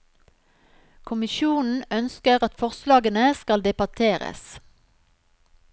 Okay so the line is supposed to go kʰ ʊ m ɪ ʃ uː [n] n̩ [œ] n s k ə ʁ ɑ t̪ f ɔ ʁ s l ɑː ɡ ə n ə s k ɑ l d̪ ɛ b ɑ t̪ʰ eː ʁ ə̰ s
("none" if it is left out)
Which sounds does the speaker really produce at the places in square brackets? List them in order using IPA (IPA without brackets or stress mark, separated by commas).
n, œ